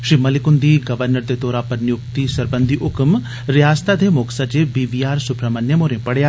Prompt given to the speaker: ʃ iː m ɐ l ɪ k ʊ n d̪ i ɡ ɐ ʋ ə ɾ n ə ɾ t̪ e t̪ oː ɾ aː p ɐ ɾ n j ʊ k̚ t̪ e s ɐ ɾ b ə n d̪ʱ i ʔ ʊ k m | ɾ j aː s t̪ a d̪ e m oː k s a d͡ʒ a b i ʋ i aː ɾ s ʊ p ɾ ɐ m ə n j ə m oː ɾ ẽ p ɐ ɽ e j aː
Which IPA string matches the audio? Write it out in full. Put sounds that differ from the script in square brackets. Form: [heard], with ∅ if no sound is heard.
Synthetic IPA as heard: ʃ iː m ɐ l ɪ k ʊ n d̪ i ɡ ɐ ʋ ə ɾ n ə ɾ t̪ e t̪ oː ɾ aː p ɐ ɾ n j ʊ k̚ t̪ [i] s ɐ ɾ b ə n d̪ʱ i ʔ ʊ k m | ɾ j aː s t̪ a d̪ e m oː k s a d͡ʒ [e] b i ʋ i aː ɾ s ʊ p ɾ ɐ m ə n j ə m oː ɾ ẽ p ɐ ɽ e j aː